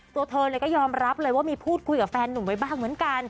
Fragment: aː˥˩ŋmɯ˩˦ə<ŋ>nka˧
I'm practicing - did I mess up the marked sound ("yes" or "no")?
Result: yes